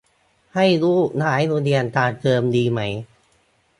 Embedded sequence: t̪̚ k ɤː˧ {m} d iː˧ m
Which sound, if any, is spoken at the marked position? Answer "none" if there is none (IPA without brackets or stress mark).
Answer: m